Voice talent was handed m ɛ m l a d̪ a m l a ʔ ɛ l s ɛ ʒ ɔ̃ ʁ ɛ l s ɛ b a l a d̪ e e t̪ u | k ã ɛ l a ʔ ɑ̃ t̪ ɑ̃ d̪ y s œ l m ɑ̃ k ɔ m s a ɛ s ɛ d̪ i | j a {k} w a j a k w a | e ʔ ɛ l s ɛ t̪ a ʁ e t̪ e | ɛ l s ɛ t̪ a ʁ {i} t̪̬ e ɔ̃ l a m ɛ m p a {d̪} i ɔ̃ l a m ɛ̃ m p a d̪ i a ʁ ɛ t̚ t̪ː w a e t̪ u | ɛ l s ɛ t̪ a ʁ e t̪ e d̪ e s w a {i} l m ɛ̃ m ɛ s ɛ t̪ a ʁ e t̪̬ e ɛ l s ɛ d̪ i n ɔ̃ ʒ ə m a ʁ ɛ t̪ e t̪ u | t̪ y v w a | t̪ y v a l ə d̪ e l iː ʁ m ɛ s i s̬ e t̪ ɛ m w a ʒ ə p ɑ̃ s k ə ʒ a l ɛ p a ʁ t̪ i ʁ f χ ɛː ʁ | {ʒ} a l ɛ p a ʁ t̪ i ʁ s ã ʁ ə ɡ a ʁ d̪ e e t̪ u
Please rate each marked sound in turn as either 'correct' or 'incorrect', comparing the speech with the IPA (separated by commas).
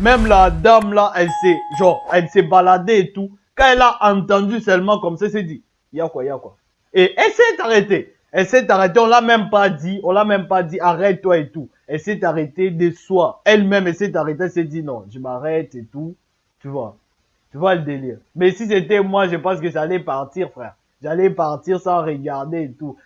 correct, incorrect, correct, incorrect, correct